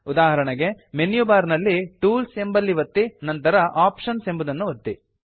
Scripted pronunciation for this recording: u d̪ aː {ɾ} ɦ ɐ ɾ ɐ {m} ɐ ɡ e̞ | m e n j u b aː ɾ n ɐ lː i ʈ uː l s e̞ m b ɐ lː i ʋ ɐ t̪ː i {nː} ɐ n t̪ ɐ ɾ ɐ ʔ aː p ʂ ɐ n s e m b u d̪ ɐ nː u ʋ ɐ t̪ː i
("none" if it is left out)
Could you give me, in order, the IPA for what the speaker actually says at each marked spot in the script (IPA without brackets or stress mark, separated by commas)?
none, ɳ, n